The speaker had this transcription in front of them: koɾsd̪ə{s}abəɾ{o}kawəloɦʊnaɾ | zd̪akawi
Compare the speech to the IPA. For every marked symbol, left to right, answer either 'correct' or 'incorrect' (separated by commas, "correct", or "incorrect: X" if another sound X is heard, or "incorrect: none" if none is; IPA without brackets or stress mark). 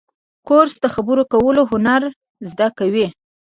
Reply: incorrect: x, correct